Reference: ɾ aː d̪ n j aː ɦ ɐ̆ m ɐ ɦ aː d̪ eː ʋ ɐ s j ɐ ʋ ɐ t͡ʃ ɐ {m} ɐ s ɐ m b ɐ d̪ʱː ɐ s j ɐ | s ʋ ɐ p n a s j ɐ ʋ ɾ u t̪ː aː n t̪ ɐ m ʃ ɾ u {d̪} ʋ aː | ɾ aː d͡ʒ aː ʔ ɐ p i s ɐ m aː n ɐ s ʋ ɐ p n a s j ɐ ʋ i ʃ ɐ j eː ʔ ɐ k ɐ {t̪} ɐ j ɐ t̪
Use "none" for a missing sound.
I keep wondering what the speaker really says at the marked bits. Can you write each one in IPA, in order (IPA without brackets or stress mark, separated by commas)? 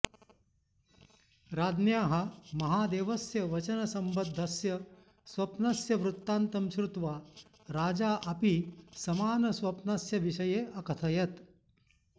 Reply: n, t̪, t̪ʰ